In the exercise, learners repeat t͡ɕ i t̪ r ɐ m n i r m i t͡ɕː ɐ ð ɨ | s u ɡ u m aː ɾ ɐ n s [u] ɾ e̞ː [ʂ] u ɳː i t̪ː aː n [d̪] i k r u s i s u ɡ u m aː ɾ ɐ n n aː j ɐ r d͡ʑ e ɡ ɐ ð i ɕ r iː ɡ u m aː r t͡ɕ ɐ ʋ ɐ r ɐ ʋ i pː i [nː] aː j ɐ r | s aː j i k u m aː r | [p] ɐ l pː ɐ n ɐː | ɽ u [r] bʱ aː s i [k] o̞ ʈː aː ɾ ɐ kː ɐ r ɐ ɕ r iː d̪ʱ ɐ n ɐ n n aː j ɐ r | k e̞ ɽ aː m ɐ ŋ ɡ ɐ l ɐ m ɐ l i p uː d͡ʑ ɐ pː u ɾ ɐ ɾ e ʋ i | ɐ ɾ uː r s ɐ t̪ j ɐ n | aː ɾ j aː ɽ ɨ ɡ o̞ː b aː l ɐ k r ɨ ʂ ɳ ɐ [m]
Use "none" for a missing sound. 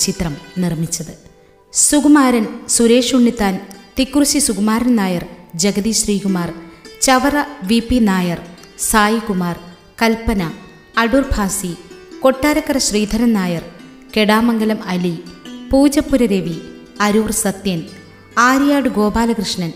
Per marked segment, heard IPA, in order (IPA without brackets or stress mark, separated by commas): u, ʂ, t̪, n, k, r, k, n